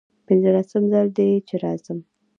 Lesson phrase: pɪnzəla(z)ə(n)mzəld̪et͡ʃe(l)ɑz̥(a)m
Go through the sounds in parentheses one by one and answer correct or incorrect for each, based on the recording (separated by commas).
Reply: incorrect, incorrect, incorrect, incorrect